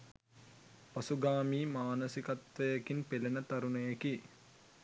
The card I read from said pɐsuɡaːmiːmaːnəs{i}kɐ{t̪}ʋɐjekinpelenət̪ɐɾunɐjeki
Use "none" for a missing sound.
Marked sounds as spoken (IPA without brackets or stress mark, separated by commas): i, t̪